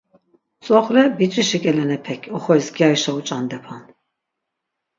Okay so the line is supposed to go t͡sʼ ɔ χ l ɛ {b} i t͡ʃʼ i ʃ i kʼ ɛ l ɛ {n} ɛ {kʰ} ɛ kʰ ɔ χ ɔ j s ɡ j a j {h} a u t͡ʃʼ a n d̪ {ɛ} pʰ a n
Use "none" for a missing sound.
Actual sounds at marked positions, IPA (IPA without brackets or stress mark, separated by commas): b, n, pʰ, ʃ, ɛ